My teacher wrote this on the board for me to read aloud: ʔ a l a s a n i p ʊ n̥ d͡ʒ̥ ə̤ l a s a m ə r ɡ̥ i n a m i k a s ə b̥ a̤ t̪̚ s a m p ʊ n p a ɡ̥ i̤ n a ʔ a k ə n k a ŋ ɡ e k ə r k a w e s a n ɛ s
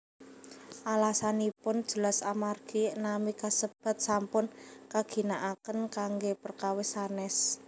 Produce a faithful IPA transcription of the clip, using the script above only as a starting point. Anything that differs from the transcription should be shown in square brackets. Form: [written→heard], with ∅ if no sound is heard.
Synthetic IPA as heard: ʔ a l a s a n i p ʊ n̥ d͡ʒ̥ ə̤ l a s a m [ə→a] r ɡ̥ i n a m i k a s ə b̥ a̤ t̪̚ s a m p ʊ n [p→k] a ɡ̥ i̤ n a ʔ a k ə n k a ŋ ɡ e [k→p] ə r k a w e s a n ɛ s